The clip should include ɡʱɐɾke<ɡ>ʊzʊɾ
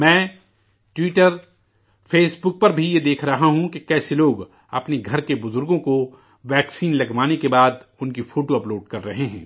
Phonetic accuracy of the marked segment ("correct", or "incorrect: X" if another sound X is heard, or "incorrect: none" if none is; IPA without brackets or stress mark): incorrect: b